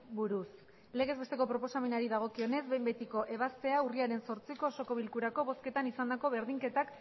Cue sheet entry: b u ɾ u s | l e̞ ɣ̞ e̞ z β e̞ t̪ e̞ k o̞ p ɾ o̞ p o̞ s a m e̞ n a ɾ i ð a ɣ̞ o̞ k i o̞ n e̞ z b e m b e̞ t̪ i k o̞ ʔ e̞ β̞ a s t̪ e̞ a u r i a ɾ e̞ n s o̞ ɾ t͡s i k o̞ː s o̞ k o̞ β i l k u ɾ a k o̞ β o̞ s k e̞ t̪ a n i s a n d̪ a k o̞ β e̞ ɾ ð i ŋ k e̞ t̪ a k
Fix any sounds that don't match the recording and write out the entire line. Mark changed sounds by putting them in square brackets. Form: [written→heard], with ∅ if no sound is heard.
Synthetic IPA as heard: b u ɾ u s | l e̞ ɣ̞ e̞ z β e̞ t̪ e̞ k o̞ p ɾ o̞ p o̞ s a m e̞ n a ɾ i ð a ɣ̞ o̞ k i o̞ n e̞ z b e m b e̞ t̪ i k o̞ ʔ e̞ β̞ a s t̪ e̞ a u r i a ɾ e̞ n s o̞ ɾ t͡s i k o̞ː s o̞ k o̞ β i l k u ɾ a k o̞ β o̞ s k e̞ t̪ a n i s a n d̪ a k o̞ β e̞ ɾ ð i ŋ k e̞ t̪ a k